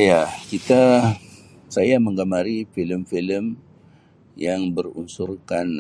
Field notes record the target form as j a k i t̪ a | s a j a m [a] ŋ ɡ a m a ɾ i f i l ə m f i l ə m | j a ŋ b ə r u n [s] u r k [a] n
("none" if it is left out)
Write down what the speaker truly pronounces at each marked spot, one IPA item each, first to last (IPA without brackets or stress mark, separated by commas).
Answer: ə, s, a